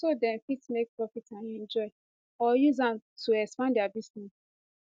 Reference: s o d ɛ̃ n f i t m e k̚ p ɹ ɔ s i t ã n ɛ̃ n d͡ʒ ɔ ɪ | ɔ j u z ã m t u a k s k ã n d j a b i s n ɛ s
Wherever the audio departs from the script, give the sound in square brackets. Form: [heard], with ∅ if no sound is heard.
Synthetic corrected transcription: s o d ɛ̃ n f i t m e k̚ p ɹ ɔ [f] i t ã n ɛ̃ n d͡ʒ ɔ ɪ | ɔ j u z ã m t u [ɛ] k s [p] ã n d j a b i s n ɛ s